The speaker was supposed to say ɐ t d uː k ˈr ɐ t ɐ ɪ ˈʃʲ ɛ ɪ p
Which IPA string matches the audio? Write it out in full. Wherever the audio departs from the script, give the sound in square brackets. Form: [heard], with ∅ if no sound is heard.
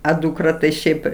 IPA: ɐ [∅] d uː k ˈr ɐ t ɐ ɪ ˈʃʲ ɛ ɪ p